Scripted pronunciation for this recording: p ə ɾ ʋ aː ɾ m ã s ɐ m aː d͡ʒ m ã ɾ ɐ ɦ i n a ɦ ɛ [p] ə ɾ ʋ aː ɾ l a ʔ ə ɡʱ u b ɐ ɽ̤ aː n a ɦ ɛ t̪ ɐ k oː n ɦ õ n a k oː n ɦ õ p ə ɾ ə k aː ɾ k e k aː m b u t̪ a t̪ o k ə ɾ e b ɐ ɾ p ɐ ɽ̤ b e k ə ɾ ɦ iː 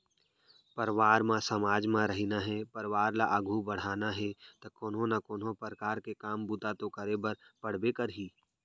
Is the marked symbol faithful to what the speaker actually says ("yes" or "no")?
yes